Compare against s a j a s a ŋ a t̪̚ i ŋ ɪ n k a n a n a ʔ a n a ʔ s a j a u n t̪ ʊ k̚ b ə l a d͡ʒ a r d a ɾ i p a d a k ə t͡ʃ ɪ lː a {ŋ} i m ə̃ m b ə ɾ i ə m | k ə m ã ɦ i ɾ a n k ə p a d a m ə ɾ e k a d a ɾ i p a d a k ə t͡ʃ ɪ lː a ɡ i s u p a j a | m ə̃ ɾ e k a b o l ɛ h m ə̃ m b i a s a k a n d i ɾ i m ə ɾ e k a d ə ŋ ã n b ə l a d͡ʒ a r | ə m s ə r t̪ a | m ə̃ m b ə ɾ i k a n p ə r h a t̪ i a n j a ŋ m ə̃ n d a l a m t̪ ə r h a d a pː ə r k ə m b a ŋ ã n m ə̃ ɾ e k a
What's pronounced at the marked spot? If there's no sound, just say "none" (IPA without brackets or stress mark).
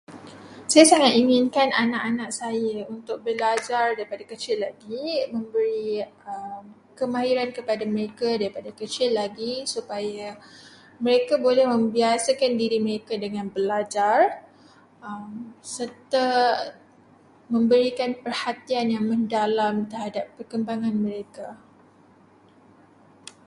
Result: ɡ